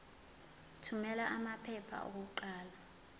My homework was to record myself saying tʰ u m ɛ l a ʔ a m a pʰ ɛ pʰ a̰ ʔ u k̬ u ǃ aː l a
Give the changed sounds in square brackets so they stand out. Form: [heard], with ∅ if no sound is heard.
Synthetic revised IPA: tʰ u m ɛ l a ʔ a m a pʰ ɛ pʰ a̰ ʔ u k̬ u ǃ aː l a